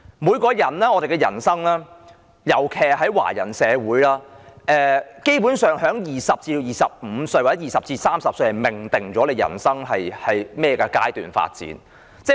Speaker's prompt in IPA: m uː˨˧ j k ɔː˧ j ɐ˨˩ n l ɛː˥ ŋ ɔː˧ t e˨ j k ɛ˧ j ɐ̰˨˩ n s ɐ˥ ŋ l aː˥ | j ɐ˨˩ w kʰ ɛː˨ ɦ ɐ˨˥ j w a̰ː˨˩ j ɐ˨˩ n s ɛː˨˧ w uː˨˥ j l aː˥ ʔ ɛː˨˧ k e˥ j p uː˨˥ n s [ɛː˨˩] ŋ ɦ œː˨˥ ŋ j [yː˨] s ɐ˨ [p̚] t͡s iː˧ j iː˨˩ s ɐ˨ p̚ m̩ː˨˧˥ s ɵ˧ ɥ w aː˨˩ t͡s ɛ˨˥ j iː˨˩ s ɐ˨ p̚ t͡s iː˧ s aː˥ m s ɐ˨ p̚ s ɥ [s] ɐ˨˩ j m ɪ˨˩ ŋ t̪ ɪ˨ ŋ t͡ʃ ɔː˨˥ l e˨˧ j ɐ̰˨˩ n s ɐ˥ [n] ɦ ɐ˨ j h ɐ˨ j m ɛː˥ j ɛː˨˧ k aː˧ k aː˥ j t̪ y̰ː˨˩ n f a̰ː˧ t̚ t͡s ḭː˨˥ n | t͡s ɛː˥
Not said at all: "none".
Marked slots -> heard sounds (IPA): œː˨˩, iː˨, p̚, h, ŋ

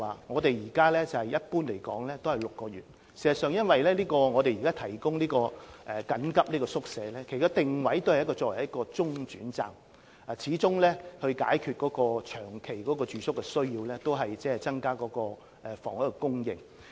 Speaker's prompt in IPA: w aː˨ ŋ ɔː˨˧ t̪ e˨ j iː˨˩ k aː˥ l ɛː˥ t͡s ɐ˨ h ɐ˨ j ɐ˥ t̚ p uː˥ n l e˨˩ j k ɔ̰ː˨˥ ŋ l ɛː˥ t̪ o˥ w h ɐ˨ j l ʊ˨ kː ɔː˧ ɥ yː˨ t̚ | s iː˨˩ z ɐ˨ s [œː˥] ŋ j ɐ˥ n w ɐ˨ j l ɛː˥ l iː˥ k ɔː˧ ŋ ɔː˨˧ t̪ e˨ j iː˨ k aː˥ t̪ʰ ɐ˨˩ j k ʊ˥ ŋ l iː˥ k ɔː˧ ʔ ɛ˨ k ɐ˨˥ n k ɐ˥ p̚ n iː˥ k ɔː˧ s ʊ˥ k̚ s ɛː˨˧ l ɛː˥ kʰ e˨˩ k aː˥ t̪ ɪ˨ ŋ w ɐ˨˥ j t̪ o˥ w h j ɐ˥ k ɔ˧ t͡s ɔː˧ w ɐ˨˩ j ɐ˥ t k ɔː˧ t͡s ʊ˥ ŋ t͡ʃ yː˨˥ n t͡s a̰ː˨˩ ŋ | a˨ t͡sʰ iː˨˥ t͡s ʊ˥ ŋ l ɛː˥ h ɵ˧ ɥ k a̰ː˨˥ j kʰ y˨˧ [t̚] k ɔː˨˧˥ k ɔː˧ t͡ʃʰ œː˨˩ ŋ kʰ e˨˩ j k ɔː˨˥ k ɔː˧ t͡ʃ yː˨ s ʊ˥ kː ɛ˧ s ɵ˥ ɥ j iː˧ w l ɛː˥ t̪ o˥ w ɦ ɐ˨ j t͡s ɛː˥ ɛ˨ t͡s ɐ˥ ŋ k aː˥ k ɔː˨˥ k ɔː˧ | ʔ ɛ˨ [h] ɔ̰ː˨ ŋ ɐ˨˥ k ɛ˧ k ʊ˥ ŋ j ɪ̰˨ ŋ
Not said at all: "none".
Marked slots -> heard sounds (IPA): œː˨, t̚, f

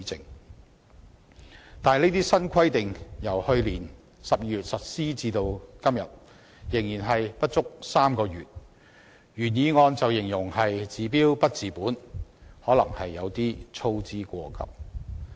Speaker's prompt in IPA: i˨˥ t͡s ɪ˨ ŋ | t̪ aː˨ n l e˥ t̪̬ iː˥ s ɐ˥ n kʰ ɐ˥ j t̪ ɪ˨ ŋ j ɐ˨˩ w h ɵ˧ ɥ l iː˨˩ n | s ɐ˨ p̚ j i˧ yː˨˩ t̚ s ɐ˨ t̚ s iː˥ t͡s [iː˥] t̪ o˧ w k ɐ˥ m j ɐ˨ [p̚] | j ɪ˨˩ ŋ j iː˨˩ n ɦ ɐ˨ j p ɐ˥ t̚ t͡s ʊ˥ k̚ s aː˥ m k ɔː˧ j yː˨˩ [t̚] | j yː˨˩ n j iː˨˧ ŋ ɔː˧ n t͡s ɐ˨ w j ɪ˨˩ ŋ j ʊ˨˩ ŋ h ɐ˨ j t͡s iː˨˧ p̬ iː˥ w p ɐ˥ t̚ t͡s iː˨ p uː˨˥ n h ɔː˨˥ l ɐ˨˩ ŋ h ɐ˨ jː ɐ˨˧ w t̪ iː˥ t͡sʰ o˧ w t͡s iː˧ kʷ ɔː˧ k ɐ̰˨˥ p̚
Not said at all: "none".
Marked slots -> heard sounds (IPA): iː˧, t̚, t̚

